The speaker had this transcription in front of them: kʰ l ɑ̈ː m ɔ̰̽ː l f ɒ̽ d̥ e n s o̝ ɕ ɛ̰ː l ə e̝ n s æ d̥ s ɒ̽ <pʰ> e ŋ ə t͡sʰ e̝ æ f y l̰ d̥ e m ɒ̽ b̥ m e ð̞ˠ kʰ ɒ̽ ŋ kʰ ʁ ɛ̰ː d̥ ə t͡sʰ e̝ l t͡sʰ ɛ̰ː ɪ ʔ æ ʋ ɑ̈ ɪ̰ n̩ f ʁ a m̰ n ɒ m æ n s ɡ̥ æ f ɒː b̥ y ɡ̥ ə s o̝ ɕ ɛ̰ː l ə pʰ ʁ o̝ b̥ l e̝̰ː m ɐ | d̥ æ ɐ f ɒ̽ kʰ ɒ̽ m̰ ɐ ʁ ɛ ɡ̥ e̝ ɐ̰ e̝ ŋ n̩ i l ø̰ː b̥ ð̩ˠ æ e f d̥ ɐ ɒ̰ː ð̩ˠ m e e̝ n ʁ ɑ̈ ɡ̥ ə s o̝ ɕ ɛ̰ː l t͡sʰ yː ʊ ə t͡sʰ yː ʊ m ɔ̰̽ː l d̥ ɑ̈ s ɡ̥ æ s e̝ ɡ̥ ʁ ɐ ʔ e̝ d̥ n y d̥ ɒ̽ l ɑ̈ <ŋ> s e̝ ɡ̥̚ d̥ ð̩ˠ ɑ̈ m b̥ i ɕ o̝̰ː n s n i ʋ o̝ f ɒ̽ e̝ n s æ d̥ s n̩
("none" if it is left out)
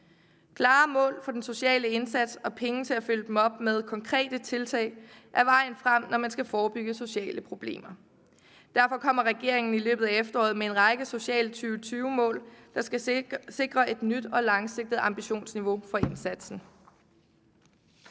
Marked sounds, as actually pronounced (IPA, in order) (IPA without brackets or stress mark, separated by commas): pʰ, ŋ